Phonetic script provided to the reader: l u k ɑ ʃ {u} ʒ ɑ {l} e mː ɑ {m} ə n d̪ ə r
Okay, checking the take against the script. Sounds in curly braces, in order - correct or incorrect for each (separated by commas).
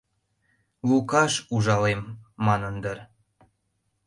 correct, correct, incorrect